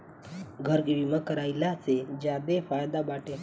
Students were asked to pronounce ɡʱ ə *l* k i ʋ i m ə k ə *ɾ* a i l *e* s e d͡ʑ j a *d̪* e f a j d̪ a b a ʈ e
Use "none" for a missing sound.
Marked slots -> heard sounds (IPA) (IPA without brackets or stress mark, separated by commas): ɾ, ɾ, a, d̪